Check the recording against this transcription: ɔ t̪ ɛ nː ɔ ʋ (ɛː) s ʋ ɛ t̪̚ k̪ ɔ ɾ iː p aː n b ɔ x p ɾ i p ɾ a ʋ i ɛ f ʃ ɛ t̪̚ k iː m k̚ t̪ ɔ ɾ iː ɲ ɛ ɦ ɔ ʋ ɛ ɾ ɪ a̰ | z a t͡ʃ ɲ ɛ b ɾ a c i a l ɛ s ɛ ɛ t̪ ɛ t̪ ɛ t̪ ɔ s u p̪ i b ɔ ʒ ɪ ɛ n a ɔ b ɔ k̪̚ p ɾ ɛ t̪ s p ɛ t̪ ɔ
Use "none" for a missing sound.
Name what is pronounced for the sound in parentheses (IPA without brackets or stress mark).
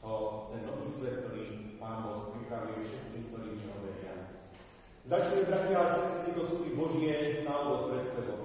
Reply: iː